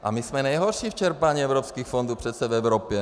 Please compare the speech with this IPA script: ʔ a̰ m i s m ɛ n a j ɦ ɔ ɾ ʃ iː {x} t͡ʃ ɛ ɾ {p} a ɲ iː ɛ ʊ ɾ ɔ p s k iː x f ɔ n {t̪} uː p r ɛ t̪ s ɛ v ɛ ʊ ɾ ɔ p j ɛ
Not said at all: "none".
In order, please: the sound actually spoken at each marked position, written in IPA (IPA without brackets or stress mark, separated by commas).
f, p, d̪